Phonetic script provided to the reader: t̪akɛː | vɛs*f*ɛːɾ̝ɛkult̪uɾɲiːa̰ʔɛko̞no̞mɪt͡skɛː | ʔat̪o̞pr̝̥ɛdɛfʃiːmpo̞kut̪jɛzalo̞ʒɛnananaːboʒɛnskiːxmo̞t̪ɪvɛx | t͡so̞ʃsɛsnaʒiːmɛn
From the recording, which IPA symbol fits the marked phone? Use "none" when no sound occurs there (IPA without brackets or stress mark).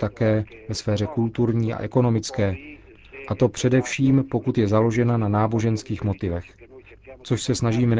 f